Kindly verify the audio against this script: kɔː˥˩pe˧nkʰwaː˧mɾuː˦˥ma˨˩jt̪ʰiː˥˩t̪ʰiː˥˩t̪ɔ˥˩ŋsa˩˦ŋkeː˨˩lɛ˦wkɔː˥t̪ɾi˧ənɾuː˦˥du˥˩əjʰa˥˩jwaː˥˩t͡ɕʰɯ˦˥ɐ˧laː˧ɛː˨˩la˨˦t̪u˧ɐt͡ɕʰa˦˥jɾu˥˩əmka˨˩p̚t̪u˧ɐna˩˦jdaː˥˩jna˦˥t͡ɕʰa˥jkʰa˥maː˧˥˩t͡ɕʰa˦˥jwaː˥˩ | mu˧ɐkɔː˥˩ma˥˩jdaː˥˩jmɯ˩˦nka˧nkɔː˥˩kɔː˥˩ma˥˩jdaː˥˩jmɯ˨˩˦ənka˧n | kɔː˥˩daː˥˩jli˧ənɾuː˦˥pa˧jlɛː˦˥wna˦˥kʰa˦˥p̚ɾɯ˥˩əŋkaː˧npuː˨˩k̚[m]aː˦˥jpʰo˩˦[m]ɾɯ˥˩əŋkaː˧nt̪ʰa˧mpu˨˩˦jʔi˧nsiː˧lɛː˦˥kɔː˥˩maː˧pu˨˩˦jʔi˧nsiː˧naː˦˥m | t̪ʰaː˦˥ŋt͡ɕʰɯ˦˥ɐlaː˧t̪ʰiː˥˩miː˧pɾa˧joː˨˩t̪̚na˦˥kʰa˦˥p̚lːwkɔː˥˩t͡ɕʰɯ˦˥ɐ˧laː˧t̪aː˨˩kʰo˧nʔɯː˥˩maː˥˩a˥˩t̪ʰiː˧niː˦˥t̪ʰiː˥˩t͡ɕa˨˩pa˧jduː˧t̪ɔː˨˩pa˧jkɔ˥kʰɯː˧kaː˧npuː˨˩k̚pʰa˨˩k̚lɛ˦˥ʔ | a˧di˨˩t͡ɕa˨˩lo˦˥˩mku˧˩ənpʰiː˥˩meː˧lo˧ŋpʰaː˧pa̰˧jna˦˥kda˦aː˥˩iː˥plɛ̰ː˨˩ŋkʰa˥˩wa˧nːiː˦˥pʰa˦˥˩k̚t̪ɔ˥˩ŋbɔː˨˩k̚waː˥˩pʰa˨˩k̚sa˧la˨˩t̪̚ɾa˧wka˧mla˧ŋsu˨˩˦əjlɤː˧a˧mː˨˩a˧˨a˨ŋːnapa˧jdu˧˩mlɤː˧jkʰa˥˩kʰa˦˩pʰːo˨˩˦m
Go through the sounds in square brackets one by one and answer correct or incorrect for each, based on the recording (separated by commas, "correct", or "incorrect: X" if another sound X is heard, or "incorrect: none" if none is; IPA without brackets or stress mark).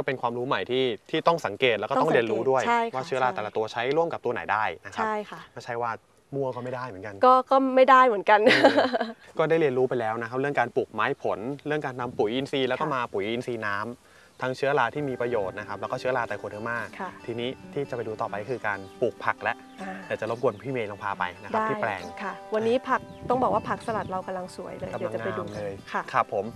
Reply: correct, incorrect: n